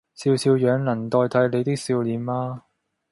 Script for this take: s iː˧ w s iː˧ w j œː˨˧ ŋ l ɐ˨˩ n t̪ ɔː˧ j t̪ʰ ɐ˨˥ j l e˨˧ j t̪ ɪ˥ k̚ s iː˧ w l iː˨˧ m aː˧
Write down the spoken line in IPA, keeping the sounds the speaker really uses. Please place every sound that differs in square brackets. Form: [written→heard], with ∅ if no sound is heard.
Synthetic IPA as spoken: s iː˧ w s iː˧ w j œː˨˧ ŋ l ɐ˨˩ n t̪ ɔː˧ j t̪ʰ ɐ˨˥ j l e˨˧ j t̪ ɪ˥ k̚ s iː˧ w l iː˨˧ m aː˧